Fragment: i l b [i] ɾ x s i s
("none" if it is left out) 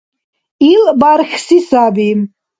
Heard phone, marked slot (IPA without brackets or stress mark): a